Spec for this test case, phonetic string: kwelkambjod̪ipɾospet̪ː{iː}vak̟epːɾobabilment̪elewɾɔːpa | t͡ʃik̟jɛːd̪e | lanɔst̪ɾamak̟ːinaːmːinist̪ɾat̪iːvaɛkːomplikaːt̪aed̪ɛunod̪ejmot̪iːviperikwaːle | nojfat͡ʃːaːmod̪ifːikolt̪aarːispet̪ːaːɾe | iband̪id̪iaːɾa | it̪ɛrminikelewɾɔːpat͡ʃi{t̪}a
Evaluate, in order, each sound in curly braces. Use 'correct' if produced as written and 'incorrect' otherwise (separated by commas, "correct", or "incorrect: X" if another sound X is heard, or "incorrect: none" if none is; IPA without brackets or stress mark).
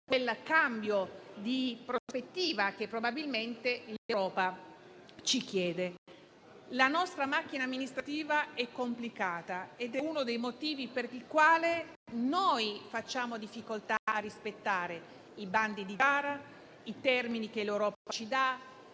correct, incorrect: d̪